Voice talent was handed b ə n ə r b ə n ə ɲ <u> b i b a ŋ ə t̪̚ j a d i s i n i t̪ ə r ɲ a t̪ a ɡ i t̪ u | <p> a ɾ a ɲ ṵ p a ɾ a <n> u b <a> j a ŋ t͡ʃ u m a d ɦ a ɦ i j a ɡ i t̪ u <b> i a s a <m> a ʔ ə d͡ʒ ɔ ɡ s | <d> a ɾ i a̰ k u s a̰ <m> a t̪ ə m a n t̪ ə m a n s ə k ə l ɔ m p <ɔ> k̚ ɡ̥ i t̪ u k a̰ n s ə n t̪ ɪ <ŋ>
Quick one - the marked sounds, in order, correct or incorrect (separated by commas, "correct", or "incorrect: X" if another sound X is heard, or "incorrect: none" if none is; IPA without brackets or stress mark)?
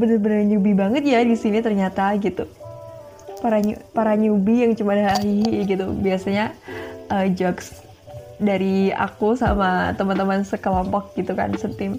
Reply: correct, correct, incorrect: ɲ, incorrect: i, correct, incorrect: ɲ, correct, correct, correct, incorrect: m